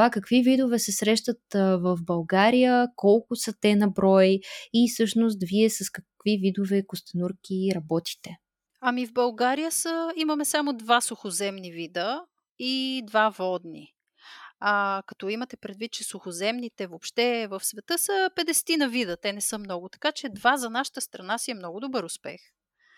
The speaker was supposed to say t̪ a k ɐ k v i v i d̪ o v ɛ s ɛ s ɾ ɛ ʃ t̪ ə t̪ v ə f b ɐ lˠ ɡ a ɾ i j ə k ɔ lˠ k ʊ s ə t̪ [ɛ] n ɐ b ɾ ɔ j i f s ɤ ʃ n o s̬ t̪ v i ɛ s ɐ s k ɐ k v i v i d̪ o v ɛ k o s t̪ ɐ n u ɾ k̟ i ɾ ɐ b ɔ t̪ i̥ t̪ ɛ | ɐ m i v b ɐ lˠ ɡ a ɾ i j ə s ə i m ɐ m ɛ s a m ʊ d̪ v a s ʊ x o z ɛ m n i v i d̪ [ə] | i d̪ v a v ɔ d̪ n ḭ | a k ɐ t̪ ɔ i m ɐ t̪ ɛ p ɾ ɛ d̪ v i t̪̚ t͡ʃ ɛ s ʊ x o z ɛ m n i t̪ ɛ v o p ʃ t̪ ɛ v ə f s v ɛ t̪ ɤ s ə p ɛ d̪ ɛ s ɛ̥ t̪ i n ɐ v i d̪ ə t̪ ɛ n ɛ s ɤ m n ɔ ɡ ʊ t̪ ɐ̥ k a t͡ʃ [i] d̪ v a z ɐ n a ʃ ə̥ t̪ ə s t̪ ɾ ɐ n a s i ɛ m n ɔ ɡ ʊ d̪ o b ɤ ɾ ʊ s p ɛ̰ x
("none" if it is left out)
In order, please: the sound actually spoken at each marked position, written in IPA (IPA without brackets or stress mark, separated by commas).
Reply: ɛ, ə, ɛ